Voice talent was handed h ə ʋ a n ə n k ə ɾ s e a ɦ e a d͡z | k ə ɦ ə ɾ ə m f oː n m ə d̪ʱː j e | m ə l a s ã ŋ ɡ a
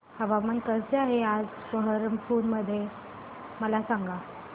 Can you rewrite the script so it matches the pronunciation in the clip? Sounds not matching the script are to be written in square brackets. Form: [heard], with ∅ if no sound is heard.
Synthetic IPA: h ə ʋ a [m] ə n k ə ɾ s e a ɦ e a d͡z | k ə ɦ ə ɾ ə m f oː n m ə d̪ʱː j e | m ə l a s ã ŋ ɡ a